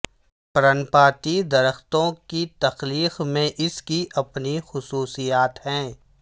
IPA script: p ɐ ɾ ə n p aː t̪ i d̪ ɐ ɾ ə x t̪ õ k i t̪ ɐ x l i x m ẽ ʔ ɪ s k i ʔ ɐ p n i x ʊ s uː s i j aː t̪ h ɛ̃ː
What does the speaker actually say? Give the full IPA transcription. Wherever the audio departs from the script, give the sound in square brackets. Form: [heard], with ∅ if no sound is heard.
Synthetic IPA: p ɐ ɾ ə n p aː t̪ i d̪ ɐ ɾ ə x t̪ õ k i t̪ ɐ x l [iː] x m ẽ ʔ ɪ s k i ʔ ɐ p n i x ʊ s uː s i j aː t̪ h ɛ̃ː